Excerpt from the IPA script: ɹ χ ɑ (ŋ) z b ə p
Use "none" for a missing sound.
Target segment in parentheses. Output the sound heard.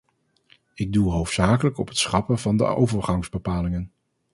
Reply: ŋ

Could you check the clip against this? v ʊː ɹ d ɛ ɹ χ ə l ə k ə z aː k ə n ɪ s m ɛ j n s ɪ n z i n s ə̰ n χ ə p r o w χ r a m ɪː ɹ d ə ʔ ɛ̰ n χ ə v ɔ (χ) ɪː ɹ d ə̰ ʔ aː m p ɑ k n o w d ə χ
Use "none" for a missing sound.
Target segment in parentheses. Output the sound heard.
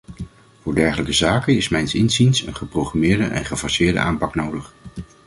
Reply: s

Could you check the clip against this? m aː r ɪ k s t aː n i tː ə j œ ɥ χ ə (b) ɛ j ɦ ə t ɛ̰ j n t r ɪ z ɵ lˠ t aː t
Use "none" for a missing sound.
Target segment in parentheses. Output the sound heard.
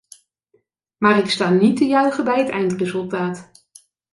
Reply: b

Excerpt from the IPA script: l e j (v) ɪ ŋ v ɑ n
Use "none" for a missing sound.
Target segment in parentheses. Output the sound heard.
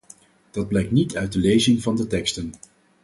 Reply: z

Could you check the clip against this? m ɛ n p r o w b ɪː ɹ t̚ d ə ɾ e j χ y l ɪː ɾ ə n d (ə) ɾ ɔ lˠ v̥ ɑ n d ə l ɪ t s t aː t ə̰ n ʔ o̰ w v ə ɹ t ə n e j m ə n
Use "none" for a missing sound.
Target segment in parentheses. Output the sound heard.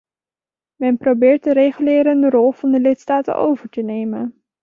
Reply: ə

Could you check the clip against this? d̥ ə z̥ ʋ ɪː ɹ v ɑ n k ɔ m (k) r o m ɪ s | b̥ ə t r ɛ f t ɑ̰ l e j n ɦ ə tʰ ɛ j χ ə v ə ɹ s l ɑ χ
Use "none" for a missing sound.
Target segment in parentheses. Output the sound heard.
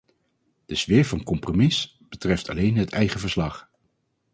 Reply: p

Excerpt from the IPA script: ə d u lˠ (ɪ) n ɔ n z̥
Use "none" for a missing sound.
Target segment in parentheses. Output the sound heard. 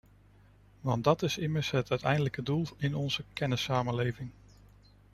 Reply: ɪ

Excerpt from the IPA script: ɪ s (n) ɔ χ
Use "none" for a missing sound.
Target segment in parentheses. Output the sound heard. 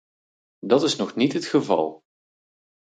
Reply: n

